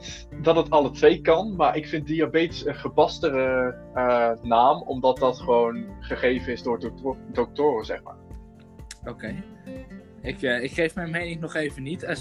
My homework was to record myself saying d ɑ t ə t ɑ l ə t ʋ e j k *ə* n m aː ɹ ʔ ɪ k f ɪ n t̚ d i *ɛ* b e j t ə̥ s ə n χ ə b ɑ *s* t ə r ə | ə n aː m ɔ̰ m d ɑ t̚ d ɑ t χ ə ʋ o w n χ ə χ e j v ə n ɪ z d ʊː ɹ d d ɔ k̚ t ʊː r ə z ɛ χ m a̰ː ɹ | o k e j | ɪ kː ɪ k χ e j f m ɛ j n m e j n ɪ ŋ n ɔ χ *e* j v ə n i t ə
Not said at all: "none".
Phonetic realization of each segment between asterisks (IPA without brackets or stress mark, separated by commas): ɑ, a, s, e